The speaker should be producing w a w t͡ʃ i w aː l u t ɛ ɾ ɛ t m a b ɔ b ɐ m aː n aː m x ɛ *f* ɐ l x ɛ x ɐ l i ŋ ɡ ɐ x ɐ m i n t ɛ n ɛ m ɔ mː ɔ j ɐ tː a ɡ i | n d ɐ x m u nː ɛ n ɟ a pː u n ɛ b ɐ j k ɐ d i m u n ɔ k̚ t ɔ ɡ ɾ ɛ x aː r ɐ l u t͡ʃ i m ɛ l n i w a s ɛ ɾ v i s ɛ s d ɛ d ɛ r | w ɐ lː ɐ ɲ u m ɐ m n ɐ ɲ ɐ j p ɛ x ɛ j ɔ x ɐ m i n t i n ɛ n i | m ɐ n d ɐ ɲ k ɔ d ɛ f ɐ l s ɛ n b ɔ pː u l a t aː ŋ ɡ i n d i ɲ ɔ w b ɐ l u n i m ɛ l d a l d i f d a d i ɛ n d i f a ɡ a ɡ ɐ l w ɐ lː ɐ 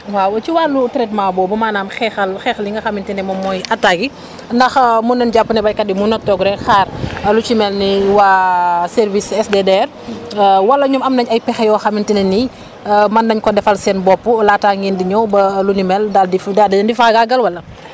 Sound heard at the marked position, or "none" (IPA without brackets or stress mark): x